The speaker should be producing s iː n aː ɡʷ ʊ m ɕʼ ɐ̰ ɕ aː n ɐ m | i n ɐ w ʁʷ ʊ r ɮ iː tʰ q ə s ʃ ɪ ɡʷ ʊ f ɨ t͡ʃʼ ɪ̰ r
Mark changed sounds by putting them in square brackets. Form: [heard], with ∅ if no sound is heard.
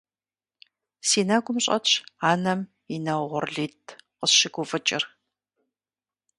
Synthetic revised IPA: s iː n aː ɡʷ ʊ m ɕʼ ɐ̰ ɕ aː n ɐ m | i n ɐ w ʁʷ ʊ r ɮ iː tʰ q ə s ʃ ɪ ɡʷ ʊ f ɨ t͡ʃʼ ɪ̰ r

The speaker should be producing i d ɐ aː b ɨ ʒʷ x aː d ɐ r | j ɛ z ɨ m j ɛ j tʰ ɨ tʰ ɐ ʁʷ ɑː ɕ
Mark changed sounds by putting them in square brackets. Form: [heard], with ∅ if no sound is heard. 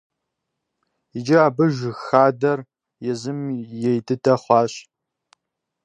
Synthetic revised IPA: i [d͡ʒ] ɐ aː b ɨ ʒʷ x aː d ɐ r | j ɛ z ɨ m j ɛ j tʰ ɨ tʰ ɐ [χʷ] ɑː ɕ

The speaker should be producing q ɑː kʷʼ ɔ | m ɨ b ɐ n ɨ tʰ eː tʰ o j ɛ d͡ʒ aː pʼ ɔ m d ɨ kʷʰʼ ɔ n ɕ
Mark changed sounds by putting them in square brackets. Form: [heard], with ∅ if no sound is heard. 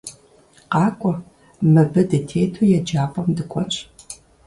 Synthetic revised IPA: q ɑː kʷʼ ɔ | m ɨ b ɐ [d] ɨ tʰ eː tʰ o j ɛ d͡ʒ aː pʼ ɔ m d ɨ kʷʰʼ ɔ n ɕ

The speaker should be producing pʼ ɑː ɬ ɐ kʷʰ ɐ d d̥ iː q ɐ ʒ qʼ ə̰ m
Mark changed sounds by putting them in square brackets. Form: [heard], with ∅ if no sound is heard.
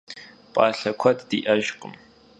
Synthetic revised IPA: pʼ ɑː ɬ ɐ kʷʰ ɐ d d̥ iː [ʔ] ɐ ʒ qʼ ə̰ m

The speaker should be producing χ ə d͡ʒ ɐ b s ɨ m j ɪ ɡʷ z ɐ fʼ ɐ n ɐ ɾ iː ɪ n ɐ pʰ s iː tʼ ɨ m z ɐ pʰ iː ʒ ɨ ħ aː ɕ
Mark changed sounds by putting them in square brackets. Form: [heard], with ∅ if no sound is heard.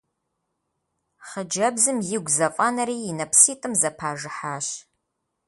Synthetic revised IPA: χ ə d͡ʒ ɐ b [z] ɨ m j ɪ ɡʷ z ɐ fʼ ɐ n ɐ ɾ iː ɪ n ɐ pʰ s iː tʼ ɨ m z ɐ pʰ [aː] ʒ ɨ ħ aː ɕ

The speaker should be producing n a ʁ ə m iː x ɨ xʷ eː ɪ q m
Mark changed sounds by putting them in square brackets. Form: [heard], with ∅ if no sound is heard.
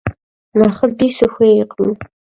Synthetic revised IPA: n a [χ] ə [b] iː [s] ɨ xʷ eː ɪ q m

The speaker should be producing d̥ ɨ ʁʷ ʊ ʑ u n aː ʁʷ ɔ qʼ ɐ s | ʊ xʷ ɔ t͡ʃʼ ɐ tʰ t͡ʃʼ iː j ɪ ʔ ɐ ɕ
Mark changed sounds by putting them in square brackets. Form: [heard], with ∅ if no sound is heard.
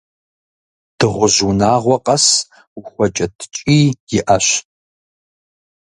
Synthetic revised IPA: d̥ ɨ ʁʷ ʊ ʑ u n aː ʁʷ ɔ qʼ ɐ s | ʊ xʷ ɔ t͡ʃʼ ɐ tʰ t͡ʃʼ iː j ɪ ʔ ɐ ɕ

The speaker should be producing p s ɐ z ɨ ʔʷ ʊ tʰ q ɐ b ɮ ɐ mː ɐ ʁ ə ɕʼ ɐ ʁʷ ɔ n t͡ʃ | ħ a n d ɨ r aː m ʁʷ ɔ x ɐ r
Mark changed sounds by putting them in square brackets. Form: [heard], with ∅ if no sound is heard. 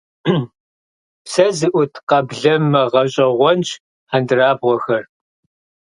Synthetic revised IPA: p s ɐ z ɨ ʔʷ ʊ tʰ q ɐ b ɮ ɐ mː ɐ ʁ [ɐ] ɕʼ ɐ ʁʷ ɔ n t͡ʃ | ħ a n d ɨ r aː [b] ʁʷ ɔ x ɐ r

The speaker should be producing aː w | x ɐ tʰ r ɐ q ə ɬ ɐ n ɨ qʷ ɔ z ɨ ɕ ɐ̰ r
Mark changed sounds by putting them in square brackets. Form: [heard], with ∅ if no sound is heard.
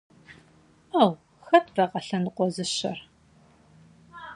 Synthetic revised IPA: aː w | x ɐ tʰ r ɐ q [ɐ] ɬ ɐ n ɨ qʷ ɔ z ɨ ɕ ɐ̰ r

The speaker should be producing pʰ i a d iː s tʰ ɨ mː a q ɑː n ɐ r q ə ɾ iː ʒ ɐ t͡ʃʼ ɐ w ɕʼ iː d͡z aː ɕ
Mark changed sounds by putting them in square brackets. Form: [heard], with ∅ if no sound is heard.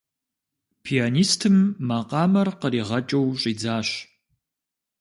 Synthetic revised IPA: pʰ i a [n] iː s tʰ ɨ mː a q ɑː [m] ɐ r q ə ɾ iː [ʁ] ɐ t͡ʃʼ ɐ w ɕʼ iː d͡z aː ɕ

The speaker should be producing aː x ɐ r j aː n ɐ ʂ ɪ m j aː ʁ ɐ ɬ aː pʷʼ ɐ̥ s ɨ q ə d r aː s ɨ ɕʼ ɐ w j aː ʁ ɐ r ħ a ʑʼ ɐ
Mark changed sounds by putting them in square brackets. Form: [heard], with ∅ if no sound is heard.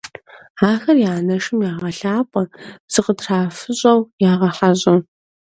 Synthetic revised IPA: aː x ɐ r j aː n ɐ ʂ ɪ m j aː ʁ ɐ ɬ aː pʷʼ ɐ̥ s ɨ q ə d r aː [f] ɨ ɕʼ ɐ w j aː ʁ ɐ [∅] ħ a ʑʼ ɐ

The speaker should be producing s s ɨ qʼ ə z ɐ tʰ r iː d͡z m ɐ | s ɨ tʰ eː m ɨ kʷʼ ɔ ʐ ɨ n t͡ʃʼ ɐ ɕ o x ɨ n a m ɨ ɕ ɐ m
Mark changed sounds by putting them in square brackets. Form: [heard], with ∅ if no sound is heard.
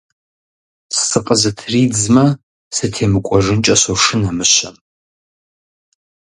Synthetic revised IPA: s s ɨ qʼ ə z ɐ tʰ r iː d͡z m ɐ | s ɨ tʰ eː m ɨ kʷʼ ɔ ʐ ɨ n t͡ʃʼ ɐ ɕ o [ʂ] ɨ n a m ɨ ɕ ɐ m

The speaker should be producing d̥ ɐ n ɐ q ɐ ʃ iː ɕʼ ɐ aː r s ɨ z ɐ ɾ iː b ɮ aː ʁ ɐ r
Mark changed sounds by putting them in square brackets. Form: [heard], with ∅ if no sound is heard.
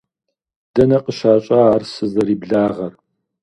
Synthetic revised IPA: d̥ ɐ n ɐ q [ə] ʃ [aː] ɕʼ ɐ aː r s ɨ z ɐ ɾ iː b ɮ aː ʁ ɐ r

